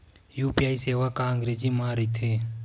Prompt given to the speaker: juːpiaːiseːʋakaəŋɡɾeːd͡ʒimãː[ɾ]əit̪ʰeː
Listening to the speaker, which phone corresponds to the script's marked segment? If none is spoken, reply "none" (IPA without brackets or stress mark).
ɾ